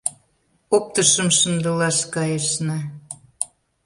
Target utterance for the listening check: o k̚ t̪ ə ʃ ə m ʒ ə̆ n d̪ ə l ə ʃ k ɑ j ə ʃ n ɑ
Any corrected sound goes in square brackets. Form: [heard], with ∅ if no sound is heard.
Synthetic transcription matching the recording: o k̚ t̪ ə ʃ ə m [ʃ] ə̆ n d̪ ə l [ɑ] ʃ k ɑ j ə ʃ n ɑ